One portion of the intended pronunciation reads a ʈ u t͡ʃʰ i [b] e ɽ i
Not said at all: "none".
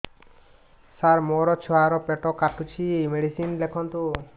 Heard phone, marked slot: m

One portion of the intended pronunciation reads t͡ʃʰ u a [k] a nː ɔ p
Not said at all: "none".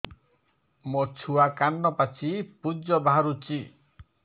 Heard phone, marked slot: k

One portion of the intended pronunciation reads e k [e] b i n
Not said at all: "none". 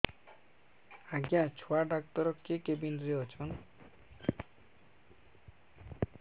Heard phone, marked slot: e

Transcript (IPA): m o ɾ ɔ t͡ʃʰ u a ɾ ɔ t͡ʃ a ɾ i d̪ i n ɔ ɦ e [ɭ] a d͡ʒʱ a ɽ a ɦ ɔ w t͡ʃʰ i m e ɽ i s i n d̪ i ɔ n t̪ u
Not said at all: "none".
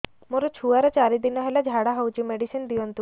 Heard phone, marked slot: l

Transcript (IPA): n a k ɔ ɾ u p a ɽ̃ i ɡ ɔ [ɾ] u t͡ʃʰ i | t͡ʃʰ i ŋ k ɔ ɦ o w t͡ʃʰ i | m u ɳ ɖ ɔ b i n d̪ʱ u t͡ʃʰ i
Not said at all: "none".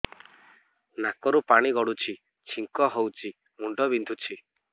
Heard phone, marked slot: ɽ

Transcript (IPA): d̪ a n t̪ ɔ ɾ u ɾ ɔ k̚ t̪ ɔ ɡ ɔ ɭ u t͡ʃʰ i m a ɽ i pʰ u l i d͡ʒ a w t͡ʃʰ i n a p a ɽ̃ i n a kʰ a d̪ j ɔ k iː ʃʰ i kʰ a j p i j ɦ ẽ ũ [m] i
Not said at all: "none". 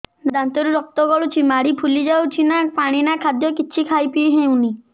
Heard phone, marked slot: n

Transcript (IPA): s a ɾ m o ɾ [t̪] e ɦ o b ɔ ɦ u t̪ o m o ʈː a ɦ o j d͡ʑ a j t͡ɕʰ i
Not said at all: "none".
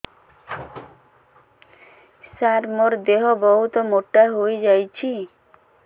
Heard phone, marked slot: d̪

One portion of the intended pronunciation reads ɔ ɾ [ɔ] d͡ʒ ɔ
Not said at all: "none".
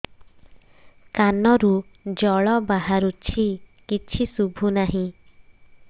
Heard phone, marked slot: u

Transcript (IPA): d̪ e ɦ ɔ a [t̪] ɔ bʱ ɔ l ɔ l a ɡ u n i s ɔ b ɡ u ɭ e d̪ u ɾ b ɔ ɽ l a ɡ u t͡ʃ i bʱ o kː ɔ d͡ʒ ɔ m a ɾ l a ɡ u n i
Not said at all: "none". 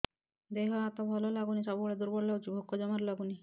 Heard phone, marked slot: t̪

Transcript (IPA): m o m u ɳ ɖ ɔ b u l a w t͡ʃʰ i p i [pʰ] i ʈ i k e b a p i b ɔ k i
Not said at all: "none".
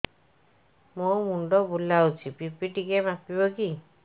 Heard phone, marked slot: p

